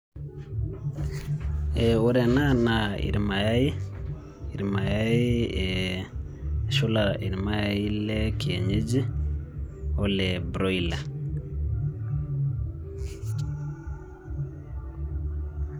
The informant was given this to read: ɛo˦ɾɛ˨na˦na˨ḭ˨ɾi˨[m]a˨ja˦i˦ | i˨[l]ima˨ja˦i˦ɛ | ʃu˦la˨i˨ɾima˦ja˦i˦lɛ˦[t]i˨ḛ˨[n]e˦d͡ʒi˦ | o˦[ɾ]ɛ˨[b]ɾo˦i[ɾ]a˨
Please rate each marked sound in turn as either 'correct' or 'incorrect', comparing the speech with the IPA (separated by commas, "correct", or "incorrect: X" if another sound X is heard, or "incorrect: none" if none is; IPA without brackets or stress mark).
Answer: correct, incorrect: ɾ, incorrect: k, incorrect: ɲ, incorrect: l, correct, incorrect: l